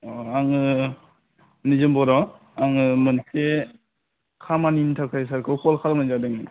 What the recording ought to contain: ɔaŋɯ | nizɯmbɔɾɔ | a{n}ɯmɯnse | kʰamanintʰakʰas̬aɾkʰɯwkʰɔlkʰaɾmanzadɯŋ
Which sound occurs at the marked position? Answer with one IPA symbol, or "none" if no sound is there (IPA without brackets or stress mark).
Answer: ŋ